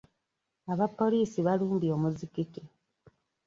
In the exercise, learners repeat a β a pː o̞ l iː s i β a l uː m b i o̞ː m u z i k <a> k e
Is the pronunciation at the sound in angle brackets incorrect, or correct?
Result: incorrect